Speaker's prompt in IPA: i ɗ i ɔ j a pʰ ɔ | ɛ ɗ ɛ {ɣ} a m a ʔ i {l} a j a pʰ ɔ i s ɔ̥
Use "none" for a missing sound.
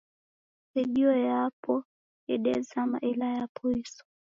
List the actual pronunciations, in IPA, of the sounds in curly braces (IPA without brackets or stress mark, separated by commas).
z, l